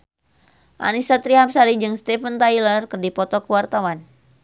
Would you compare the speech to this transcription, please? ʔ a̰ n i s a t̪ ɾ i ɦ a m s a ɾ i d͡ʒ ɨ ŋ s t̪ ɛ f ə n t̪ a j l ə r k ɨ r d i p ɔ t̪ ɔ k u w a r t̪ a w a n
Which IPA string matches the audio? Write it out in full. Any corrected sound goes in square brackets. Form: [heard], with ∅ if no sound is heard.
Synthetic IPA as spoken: ʔ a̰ n i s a t̪ ɾ i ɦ a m s a ɾ i d͡ʒ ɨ ŋ s t̪ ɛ f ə n t̪ a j l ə r k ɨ r d i p ɔ t̪ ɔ k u w a r t̪ a w a n